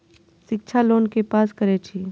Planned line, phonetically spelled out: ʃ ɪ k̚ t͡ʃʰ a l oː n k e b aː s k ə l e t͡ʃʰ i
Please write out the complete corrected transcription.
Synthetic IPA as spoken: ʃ ɪ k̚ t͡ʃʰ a l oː n k e p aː s k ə ɾ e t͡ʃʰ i